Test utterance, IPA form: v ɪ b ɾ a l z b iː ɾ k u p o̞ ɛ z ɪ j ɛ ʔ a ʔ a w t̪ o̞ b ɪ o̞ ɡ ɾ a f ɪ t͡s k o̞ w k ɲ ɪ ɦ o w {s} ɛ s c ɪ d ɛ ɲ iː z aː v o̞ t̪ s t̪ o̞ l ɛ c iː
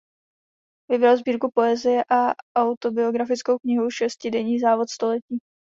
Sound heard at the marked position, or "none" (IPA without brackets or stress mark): ʃ